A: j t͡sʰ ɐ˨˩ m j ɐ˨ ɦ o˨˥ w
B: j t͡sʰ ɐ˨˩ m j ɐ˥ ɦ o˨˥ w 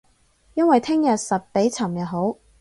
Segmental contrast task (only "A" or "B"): A